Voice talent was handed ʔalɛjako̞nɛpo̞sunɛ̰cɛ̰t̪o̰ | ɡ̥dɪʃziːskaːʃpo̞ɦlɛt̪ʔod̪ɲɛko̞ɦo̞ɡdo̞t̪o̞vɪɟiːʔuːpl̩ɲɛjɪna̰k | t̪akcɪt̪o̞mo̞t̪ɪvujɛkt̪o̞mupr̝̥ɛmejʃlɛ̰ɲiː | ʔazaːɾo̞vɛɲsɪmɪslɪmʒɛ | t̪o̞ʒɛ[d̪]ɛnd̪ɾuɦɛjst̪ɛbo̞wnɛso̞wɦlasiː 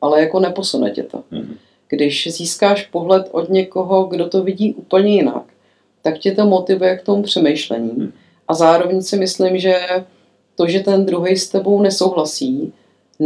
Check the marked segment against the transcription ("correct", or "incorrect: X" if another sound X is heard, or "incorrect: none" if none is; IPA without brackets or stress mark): incorrect: t̪